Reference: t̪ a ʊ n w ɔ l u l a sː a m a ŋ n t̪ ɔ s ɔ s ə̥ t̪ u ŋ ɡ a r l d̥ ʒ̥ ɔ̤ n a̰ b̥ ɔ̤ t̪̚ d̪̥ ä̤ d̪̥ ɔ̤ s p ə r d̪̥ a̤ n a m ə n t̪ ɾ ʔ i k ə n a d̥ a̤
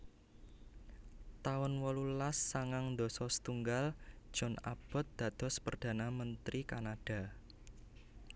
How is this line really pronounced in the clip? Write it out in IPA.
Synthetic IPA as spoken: t̪ a ʊ n w ɔ l u l a sː a ŋ a ŋ n d̪ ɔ s ɔ s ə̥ t̪ u ŋ ɡ a l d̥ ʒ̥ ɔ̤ n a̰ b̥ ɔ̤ t̪̚ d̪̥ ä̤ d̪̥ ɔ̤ s p ə r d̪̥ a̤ n a m ə n t̪ ɾ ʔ i k a n a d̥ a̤